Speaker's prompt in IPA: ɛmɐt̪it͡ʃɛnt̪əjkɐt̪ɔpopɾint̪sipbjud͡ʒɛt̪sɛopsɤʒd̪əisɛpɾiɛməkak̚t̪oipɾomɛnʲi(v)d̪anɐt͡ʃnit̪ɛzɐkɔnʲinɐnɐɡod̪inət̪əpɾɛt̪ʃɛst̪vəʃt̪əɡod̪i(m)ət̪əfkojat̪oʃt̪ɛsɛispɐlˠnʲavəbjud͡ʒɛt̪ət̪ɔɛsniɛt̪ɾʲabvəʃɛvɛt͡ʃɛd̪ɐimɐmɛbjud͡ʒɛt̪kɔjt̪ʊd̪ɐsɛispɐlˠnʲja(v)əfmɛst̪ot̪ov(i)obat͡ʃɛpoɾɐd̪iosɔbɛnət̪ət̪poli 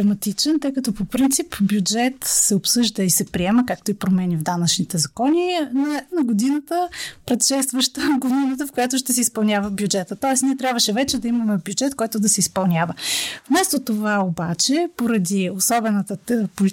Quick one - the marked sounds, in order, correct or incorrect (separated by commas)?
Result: correct, incorrect, correct, incorrect